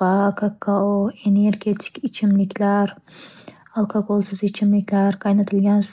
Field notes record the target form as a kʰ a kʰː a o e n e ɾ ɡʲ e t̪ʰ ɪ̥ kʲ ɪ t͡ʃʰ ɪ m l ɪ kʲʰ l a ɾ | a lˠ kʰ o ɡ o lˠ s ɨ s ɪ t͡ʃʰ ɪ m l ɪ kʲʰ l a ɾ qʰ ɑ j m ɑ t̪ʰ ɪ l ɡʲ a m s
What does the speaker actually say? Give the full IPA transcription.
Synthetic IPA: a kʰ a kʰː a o e n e ɾ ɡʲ e t̪ʰ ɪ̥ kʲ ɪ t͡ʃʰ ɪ m l ɪ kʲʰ l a ɾ | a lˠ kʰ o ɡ o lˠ s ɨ z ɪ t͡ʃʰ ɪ m l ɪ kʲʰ l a ɾ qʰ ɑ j n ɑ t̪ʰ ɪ l ɡʲ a n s